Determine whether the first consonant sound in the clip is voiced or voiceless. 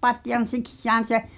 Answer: voiceless